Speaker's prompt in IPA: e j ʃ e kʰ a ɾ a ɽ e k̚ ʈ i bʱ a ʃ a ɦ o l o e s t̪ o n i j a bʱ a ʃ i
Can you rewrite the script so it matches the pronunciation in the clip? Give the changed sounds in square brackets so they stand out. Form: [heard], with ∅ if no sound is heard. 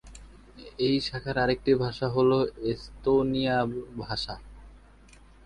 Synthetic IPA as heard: e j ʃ [a] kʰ a ɾ a [ɾ] e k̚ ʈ i bʱ a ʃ a ɦ o l o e s t̪ o n i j a bʱ a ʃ [a]